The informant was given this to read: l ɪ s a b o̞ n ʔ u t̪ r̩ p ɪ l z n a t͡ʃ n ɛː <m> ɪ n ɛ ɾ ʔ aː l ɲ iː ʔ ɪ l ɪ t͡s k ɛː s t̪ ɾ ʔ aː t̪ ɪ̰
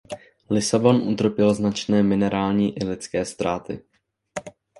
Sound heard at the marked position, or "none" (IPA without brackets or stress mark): m